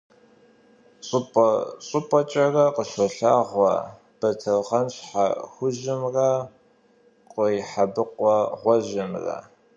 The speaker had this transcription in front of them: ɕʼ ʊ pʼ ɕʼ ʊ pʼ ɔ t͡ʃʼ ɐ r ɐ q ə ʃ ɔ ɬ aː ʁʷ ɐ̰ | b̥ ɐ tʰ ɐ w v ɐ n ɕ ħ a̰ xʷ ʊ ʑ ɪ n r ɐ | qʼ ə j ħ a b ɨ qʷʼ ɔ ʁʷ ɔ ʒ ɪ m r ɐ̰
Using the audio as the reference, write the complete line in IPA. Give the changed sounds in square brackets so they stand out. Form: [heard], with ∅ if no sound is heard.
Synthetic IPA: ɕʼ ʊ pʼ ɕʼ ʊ pʼ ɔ t͡ʃʼ ɐ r ɐ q ə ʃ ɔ ɬ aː ʁʷ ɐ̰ | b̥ ɐ tʰ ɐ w [ʁ] ɐ n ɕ ħ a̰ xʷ ʊ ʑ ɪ [m] r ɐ | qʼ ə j ħ a b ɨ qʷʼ ɔ ʁʷ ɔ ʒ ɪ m r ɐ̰